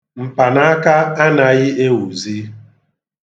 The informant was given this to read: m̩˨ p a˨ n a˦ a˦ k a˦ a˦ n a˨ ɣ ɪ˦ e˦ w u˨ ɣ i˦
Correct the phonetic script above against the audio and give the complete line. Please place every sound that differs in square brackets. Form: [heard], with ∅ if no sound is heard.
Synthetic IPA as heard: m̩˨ p a˨ n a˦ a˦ k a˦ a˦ n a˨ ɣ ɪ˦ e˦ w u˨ [z] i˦